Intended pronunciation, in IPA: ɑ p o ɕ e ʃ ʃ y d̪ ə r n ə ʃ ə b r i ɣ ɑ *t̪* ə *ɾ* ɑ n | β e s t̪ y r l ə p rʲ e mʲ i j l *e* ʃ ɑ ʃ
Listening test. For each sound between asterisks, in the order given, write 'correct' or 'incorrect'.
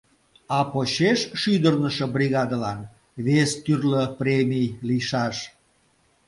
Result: incorrect: d̪, incorrect: l, incorrect: i

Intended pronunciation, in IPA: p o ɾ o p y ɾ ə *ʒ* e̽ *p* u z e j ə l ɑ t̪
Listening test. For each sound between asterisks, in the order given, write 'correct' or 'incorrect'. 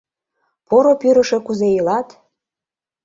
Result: incorrect: ʃ, incorrect: k

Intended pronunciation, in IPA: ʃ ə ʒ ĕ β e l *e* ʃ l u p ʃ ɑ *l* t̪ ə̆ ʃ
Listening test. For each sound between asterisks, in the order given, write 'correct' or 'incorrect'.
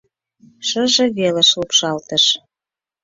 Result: correct, correct

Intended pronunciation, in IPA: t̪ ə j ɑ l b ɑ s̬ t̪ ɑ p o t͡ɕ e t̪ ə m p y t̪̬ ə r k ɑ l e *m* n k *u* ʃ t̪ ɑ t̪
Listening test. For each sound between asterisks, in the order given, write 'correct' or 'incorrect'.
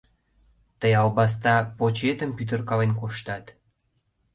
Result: incorrect: none, incorrect: o

